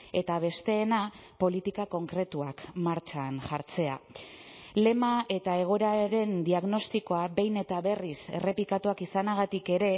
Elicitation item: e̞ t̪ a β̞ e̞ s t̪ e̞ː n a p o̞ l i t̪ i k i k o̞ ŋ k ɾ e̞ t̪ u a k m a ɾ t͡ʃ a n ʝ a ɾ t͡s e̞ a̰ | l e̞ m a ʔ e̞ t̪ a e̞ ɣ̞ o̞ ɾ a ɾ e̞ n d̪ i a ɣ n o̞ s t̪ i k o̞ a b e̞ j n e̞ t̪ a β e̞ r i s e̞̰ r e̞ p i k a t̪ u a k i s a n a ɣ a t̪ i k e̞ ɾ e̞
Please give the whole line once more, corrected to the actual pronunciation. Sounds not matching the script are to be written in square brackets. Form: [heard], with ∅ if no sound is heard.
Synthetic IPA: e̞ t̪ a β̞ e̞ s t̪ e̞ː n a p o̞ l i t̪ i k [a] k o̞ ŋ k ɾ e̞ t̪ u a k m a ɾ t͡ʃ a n ʝ a ɾ t͡s e̞ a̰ | l e̞ m a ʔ e̞ t̪ a e̞ ɣ̞ o̞ ɾ a ɾ e̞ n d̪ i a ɣ n o̞ s t̪ i k o̞ a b e̞ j n e̞ t̪ a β e̞ r i s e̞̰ r e̞ p i k a t̪ u a k i s a n a ɣ a t̪ i k e̞ ɾ e̞